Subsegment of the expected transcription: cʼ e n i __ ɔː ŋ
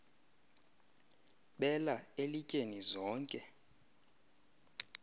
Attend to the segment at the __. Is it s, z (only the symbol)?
z